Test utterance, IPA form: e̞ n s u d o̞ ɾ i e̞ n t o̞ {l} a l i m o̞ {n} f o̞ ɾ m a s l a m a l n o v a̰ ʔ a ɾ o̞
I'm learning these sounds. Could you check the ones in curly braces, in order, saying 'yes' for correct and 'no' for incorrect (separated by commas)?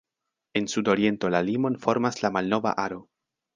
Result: yes, yes